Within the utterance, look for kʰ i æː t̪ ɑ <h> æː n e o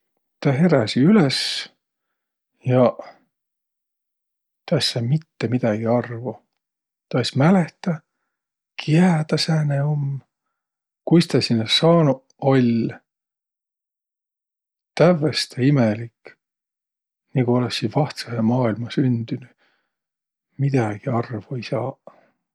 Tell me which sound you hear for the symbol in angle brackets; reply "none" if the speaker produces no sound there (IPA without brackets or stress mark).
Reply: s